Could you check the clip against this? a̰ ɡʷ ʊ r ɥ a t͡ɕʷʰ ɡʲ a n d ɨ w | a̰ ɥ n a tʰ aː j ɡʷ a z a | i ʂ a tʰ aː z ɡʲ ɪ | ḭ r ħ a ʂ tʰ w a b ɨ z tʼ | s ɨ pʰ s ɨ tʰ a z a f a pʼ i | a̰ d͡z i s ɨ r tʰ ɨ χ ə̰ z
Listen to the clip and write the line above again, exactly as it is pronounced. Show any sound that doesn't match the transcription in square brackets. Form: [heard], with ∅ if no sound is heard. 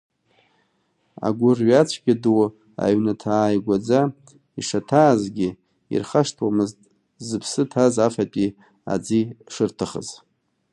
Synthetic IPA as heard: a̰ ɡʷ ʊ r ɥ a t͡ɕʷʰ ɡʲ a [∅] d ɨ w | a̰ ɥ n a tʰ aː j ɡʷ a [d͡z] a | i ʂ a tʰ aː z ɡʲ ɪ | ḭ r [χ] a ʂ tʰ w a [m] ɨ z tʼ | [z] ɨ pʰ s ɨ tʰ a z a f a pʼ i | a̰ d͡z i [ʂ] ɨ r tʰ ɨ χ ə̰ z